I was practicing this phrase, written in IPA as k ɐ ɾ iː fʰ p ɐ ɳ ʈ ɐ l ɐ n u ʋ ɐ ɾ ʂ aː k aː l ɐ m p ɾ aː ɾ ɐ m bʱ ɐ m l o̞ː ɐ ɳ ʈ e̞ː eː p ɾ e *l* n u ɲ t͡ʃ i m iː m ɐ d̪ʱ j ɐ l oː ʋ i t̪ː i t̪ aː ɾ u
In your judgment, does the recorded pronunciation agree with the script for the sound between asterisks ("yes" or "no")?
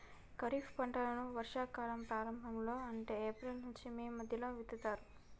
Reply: yes